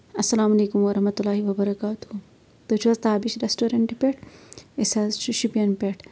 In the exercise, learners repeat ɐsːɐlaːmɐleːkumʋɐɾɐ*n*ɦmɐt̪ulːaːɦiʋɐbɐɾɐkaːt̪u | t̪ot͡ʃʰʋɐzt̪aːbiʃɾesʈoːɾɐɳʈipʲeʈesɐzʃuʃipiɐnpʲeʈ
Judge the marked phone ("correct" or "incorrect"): incorrect